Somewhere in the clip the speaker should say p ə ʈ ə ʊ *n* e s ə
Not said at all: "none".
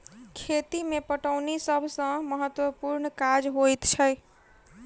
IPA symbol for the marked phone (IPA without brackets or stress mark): n